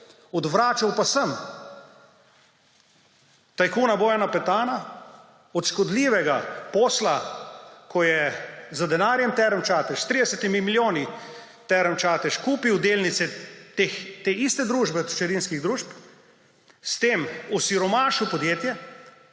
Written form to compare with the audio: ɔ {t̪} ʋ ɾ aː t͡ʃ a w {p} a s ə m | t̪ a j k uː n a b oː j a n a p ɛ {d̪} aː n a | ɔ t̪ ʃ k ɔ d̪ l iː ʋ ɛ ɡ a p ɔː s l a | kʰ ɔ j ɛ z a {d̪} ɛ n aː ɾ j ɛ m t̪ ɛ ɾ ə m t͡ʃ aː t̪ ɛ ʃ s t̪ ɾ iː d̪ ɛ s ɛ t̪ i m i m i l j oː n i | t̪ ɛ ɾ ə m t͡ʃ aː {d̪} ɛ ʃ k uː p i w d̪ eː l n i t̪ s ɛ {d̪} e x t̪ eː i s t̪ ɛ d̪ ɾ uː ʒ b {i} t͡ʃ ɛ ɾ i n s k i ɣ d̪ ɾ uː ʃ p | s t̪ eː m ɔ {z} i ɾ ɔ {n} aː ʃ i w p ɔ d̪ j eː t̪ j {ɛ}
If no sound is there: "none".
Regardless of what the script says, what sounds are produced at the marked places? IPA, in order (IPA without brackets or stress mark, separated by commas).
d̪, p, t̪, d̪, t̪, t̪, ɛ, s, m, ɛ